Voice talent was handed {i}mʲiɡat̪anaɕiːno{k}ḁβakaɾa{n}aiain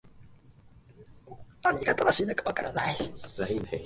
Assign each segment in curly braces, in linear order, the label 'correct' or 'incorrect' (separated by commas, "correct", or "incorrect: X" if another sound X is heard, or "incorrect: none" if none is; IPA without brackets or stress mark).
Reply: incorrect: a, correct, correct